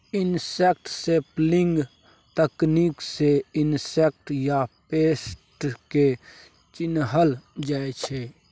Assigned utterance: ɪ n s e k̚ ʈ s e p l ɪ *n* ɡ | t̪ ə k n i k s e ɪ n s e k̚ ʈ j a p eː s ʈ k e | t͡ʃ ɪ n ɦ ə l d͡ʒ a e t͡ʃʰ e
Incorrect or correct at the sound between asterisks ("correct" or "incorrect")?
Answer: incorrect